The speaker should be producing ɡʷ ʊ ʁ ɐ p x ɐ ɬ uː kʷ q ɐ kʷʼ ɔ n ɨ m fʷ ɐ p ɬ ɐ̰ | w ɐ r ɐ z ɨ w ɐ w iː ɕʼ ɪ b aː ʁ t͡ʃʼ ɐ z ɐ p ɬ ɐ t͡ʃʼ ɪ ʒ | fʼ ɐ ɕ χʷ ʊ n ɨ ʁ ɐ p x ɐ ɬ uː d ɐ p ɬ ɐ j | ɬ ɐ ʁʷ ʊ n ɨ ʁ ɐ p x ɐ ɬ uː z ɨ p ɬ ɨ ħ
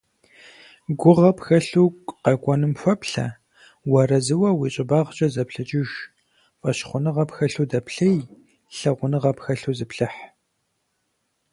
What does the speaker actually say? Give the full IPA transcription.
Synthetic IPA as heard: ɡʷ ʊ ʁ ɐ p x ɐ ɬ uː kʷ q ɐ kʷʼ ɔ n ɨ m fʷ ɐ p ɬ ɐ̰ | w ɐ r ɐ z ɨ w ɐ w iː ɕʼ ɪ b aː ʁ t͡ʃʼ ɐ z ɐ p ɬ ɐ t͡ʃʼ ɪ ʒ | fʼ ɐ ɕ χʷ ʊ n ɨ ʁ ɐ p x ɐ ɬ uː d ɐ p ɬ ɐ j | ɬ ɐ ʁʷ ʊ n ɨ ʁ ɐ p x ɐ ɬ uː z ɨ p ɬ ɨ ħ

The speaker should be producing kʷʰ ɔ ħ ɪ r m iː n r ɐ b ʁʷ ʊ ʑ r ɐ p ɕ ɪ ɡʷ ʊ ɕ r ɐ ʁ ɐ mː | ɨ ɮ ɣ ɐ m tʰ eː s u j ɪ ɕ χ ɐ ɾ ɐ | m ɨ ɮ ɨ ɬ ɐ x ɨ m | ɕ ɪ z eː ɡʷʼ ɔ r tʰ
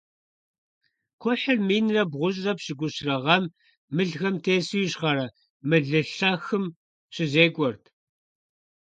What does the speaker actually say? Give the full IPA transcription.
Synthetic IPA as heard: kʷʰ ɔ ħ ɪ r m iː n r ɐ b ʁʷ ʊ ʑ r ɐ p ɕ ɪ ɡʷ ʊ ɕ r ɐ ʁ ɐ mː | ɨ ɮ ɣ ɐ m tʰ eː s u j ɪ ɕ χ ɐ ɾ ɐ | m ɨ ɮ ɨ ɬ ɐ x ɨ m | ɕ ɪ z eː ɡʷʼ ɔ r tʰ

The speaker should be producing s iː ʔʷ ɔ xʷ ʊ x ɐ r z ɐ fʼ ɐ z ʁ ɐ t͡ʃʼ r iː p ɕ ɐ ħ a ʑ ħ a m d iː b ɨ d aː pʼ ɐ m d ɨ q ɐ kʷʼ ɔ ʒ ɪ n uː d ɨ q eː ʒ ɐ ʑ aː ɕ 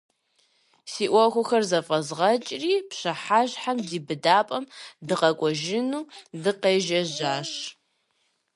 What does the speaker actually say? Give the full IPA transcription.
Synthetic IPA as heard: s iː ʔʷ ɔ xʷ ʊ x ɐ r z ɐ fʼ ɐ z ʁ ɐ t͡ʃʼ r iː p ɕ ɐ ħ a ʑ ħ a m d iː b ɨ d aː pʼ ɐ m d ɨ q ɐ kʷʼ ɔ ʒ ɪ n uː d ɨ q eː ʒ ɐ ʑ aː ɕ

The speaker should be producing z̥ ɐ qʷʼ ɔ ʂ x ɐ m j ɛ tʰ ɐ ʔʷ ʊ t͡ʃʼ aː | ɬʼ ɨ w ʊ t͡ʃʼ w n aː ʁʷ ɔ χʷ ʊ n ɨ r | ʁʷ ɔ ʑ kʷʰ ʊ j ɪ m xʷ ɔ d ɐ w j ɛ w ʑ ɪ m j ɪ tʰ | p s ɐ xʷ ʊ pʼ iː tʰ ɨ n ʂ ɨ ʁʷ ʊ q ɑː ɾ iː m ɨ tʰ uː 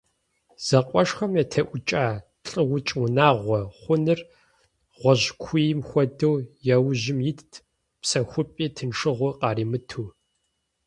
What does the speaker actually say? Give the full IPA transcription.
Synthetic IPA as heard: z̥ ɐ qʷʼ ɔ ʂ x ɐ m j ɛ tʰ ɐ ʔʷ ʊ t͡ʃʼ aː | ɬʼ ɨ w ʊ t͡ʃʼ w n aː ʁʷ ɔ χʷ ʊ n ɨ r | ʁʷ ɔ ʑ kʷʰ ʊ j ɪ m xʷ ɔ d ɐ w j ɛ w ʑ ɪ m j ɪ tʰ | p s ɐ xʷ ʊ pʼ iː tʰ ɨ n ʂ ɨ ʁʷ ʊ q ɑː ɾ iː m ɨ tʰ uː

